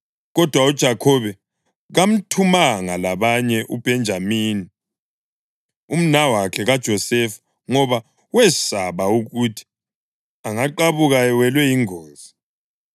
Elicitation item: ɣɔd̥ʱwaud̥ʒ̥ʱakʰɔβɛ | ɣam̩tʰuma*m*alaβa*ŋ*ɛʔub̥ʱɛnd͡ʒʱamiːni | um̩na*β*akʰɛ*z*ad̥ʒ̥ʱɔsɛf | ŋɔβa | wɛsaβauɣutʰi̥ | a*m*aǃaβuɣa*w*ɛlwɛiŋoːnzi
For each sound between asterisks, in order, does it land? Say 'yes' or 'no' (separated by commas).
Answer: no, no, no, no, no, yes